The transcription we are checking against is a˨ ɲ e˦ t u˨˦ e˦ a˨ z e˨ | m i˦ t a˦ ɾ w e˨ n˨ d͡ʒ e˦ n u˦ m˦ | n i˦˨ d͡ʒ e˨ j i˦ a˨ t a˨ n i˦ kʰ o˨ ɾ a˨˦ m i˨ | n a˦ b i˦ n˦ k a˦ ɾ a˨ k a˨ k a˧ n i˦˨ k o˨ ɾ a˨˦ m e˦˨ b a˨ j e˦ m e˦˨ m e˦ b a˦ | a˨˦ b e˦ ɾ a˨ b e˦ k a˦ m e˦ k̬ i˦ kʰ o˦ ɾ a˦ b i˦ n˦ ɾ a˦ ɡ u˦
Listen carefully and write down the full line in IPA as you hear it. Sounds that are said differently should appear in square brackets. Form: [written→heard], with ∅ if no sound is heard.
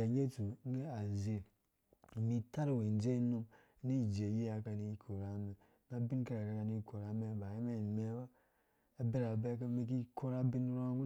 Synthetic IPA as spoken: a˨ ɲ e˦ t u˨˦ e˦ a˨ z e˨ | m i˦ t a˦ ɾ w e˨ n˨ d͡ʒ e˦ n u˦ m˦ | n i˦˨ d͡ʒ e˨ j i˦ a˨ [t→k] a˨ n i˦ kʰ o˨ ɾ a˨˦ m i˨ | n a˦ b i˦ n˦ k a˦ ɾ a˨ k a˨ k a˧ n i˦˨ k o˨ ɾ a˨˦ m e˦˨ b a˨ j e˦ m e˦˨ m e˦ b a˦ | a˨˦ b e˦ ɾ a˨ b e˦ k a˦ m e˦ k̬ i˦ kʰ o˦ ɾ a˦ b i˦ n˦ ɾ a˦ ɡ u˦